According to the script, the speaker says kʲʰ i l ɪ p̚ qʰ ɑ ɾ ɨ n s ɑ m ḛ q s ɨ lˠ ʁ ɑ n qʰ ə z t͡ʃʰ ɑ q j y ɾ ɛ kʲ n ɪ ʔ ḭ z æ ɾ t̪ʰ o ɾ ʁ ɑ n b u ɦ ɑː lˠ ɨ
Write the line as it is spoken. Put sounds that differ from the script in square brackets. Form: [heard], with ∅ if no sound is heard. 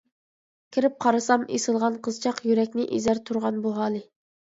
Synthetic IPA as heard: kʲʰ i [ɾ] ɪ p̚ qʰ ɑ ɾ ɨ [∅] s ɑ m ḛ [∅] s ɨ lˠ ʁ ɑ n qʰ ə z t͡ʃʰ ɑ q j y ɾ ɛ kʲ n ɪ ʔ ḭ z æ ɾ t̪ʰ [u] ɾ ʁ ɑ n b u ɦ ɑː lˠ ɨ

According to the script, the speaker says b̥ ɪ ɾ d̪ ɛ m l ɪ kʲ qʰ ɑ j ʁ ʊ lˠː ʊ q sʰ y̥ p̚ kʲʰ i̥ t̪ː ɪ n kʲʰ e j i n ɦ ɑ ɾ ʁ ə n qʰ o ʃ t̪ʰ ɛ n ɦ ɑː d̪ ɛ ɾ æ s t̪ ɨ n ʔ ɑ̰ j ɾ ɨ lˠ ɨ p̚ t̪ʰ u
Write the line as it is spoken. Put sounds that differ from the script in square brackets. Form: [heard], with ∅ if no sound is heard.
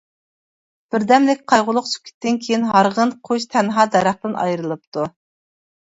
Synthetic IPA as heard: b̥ ɪ ɾ d̪ ɛ m l ɪ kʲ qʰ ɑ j ʁ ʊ [lˠ] ʊ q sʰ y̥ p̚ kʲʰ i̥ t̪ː ɪ n kʲʰ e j i n ɦ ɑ ɾ ʁ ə n qʰ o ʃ t̪ʰ ɛ n ɦ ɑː d̪ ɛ ɾ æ [χ] t̪ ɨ n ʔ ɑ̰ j ɾ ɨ lˠ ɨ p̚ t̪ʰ u

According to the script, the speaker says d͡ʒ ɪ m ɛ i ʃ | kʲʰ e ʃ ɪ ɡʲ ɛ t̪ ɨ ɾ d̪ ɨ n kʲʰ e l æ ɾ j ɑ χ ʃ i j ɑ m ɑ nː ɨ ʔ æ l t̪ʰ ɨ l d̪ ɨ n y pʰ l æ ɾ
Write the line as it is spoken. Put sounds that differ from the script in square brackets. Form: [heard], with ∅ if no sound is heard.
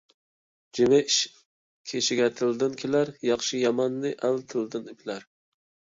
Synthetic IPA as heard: d͡ʒ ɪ m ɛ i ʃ | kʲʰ e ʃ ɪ ɡʲ ɛ [t̪ʰ] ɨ [l] d̪ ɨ n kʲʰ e l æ ɾ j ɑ χ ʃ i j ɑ m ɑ nː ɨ ʔ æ l t̪ʰ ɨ l d̪ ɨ n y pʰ l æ ɾ

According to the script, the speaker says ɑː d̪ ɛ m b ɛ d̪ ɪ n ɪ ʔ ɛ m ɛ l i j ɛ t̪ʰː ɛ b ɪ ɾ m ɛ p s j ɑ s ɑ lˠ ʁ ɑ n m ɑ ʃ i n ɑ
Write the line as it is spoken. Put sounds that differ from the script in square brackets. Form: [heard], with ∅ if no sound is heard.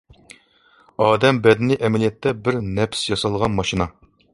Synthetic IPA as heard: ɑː d̪ ɛ m b ɛ d̪ ɪ n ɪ ʔ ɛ m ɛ l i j ɛ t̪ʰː ɛ b ɪ ɾ [n] ɛ p s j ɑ s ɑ lˠ ʁ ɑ n m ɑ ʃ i n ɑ

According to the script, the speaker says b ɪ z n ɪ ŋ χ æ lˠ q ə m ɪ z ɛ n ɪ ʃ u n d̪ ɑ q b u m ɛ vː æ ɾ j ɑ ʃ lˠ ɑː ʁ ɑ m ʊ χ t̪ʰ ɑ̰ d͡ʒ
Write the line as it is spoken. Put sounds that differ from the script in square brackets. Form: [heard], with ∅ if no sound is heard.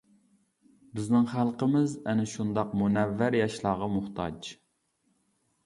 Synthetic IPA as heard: b ɪ z n ɪ ŋ χ æ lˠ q ə m ɪ z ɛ n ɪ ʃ u n d̪ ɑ q [m] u [n] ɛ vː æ ɾ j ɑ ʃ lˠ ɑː ʁ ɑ m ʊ χ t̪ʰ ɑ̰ d͡ʒ

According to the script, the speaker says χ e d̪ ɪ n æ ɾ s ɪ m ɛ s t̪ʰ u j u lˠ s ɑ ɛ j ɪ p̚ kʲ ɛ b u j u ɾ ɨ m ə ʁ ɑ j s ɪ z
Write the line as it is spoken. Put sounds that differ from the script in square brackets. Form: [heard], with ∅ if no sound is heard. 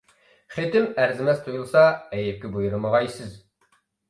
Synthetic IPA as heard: χ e [t̪] ɪ [m] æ ɾ [z] ɪ m ɛ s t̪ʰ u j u lˠ s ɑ ɛ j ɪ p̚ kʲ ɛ b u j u ɾ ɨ m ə ʁ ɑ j s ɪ z

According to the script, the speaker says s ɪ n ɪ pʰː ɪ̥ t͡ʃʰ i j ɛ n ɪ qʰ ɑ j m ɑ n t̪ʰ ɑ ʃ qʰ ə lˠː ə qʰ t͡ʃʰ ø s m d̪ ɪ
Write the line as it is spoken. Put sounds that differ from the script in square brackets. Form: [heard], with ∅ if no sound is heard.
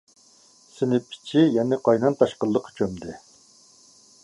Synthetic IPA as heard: s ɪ n ɪ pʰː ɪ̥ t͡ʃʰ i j ɛ n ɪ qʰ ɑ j [n] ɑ n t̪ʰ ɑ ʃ [q] ə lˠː ə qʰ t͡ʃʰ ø [∅] m d̪ ɪ

